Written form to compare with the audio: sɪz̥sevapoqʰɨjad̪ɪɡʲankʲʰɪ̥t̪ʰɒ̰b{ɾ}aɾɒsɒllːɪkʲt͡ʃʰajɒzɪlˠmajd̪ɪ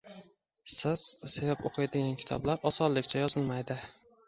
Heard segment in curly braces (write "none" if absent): l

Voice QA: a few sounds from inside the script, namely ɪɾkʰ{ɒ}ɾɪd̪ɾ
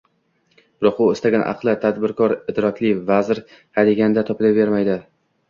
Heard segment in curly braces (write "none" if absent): ɒ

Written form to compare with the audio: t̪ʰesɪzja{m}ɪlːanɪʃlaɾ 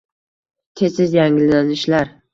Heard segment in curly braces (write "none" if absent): ŋ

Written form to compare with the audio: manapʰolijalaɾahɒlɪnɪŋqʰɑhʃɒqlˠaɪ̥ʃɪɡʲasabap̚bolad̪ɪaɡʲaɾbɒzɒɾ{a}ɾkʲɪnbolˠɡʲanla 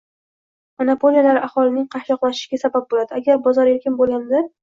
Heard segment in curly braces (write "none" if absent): e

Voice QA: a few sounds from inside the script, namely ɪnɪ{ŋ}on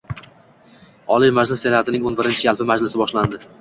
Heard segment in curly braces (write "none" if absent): ŋ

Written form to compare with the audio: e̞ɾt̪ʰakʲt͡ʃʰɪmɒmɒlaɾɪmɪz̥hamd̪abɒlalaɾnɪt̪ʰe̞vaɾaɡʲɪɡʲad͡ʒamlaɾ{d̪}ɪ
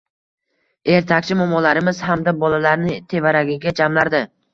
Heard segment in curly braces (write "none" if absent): d̪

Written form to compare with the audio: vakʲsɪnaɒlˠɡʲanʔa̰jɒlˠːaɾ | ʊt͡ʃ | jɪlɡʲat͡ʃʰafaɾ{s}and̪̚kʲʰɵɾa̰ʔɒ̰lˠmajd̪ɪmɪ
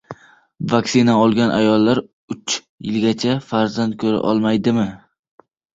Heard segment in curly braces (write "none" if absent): z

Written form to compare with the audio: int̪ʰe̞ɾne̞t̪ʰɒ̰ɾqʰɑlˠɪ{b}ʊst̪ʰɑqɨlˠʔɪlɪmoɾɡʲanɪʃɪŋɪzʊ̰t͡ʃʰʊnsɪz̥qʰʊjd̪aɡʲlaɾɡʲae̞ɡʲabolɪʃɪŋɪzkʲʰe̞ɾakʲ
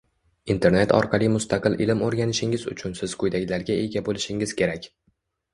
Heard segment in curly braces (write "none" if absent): m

